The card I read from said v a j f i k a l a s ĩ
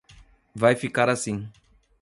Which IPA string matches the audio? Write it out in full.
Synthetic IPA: v a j f i k a ɾ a s ĩ